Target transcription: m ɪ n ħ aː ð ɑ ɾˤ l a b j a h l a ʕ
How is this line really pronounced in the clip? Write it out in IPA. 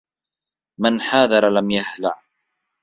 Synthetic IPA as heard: m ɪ n ħ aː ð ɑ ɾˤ l a m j a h l a ʕ